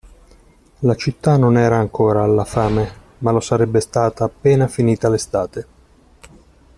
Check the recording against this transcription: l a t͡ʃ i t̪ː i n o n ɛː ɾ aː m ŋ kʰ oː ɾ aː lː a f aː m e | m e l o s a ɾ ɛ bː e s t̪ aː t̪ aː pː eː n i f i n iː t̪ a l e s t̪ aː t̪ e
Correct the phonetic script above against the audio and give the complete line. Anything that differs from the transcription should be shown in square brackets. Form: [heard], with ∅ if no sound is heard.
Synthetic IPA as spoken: l a t͡ʃ i t̪ː [a] n o n ɛː ɾ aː [∅] ŋ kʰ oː ɾ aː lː a f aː m e | m [a] l o s a ɾ ɛ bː e s t̪ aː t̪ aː pː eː n [a] f i n iː t̪ a l e s t̪ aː t̪ e